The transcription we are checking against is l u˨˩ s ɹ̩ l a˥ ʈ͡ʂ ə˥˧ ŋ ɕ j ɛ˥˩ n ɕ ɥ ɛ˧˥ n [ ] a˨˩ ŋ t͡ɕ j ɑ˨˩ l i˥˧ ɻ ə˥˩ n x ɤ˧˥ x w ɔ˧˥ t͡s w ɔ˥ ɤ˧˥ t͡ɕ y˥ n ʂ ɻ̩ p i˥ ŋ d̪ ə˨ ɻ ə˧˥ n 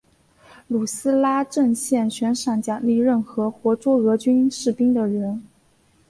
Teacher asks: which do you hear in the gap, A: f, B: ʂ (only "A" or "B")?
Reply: B